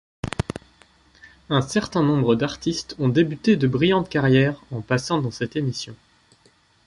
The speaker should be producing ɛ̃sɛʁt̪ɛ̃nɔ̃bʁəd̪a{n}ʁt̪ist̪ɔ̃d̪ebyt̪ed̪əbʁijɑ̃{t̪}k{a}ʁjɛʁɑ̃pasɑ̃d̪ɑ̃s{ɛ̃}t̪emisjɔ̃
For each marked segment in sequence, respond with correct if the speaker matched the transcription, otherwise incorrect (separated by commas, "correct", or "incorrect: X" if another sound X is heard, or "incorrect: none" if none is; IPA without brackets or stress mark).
incorrect: none, correct, correct, incorrect: ɛ